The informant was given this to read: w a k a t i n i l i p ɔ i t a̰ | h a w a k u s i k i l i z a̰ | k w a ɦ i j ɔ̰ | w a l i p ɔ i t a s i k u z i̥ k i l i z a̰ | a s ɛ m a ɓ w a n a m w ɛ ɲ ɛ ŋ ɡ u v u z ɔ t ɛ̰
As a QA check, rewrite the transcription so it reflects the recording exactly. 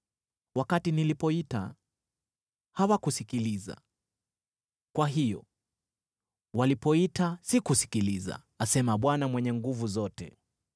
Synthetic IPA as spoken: w a k a t i n i l i p ɔ i t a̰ | h a w a k u s i k i l i z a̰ | k w a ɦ i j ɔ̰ | w a l i p ɔ i t a s i k u s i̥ k i l i z a̰ | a s ɛ m a ɓ w a n a m w ɛ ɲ ɛ ŋ ɡ u v u z ɔ t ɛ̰